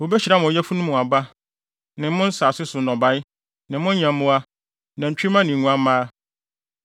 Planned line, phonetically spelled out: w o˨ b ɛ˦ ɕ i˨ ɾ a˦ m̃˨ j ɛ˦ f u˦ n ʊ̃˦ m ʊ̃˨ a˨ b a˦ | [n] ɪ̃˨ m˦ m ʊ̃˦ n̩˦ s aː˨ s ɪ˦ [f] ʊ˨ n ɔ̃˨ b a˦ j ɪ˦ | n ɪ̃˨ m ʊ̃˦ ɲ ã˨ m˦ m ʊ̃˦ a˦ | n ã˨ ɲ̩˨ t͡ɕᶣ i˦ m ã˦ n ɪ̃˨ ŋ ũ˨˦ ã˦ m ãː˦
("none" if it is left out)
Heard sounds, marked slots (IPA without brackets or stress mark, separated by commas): n, s